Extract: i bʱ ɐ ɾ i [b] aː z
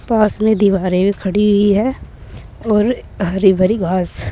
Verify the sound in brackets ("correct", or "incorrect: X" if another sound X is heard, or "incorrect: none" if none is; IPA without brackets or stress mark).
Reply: incorrect: ɡ